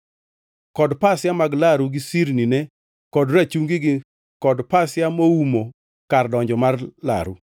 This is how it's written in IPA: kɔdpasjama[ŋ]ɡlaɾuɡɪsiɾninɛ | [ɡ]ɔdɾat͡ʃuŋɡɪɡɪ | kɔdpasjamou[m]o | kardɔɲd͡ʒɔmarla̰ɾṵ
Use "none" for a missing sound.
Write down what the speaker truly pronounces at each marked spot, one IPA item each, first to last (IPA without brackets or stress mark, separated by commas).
none, k, m